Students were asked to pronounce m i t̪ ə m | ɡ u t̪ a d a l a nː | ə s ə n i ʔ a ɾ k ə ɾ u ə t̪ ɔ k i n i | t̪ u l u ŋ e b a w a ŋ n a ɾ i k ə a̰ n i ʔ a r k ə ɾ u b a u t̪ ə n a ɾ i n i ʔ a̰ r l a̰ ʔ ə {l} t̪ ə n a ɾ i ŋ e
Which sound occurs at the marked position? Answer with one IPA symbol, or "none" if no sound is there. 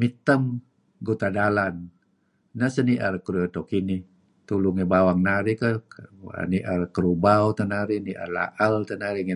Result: l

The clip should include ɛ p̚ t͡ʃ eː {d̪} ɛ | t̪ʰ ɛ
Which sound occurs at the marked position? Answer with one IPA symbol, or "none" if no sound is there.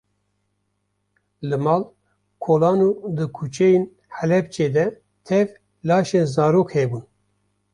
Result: d̪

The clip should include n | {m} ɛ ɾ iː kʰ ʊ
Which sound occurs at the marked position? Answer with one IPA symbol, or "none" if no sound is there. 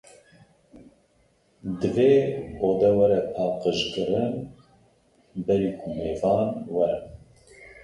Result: b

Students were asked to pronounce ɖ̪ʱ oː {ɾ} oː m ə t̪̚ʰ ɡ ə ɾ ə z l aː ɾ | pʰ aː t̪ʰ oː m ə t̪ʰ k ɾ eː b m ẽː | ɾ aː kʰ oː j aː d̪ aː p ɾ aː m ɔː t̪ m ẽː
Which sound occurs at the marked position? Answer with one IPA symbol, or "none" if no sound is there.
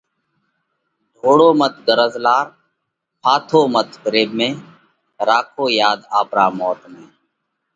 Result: ɽ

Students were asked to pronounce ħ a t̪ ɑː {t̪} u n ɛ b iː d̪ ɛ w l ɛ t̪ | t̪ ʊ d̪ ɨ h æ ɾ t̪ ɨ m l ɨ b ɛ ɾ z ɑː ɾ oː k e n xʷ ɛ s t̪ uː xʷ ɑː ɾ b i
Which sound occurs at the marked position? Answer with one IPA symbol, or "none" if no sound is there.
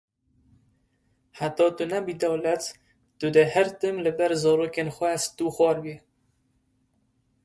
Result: t̪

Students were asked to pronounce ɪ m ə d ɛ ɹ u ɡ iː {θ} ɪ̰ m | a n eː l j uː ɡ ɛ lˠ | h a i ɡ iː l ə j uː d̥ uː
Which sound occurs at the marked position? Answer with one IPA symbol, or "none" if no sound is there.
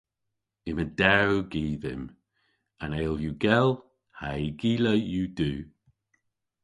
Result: ð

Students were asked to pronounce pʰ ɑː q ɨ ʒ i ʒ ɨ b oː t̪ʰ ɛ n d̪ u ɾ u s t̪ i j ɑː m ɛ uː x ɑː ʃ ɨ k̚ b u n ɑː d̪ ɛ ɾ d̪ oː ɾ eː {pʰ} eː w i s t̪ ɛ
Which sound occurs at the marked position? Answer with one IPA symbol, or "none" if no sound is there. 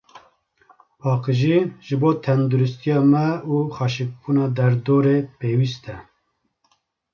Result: p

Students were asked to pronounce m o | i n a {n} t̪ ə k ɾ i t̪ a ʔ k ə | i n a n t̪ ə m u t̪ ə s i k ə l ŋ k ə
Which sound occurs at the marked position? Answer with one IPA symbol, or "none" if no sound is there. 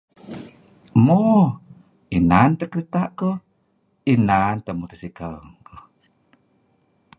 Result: n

